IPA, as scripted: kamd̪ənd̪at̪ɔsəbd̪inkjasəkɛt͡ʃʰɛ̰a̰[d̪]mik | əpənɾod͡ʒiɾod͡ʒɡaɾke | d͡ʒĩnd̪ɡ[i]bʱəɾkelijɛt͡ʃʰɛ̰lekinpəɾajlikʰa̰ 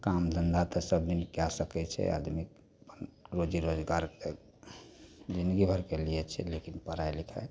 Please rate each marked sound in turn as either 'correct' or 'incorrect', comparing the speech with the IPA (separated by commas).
correct, correct